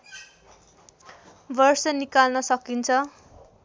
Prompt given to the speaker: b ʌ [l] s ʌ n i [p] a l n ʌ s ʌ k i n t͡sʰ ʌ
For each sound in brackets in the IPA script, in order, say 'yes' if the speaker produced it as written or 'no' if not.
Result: no, no

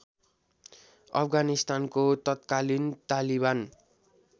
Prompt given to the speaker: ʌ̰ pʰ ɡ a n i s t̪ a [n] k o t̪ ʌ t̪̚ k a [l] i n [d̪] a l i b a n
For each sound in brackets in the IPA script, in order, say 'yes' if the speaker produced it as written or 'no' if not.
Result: yes, yes, no

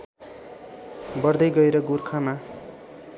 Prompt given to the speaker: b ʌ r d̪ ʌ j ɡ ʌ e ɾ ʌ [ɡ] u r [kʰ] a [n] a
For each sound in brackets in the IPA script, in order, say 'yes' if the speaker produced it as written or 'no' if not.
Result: yes, yes, no

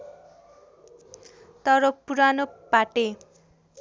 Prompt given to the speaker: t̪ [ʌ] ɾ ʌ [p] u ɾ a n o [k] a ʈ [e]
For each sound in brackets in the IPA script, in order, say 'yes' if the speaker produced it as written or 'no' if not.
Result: yes, yes, no, yes

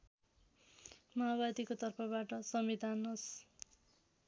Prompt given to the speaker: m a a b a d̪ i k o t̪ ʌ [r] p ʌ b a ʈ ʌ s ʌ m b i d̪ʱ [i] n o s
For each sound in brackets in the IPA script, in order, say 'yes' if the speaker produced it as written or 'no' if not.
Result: yes, no

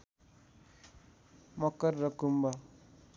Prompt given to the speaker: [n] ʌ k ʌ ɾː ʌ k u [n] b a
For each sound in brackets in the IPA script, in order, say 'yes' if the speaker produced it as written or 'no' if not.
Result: no, no

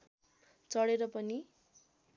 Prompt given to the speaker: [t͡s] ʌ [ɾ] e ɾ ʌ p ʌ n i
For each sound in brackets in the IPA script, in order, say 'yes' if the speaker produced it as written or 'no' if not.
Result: yes, no

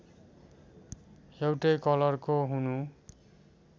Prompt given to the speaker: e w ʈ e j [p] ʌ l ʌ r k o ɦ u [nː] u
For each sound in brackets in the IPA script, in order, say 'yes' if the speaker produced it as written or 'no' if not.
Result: no, no

